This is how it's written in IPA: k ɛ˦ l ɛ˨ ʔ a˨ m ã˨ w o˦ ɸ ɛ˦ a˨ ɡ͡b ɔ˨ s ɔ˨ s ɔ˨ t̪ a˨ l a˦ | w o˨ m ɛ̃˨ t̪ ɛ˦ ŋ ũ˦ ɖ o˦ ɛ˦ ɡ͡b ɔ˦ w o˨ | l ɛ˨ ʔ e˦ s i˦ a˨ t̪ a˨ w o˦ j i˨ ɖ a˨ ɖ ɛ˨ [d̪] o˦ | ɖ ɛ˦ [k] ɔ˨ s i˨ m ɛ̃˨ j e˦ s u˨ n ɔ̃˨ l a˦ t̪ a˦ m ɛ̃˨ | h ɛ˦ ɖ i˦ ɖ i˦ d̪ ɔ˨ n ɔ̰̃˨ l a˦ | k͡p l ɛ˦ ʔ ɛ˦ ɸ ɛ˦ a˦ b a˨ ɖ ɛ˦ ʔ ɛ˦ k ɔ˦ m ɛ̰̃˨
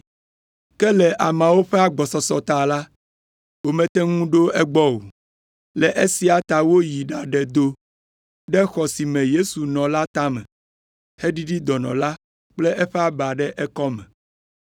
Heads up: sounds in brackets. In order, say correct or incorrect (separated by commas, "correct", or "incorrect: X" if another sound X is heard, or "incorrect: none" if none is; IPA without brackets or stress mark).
correct, incorrect: x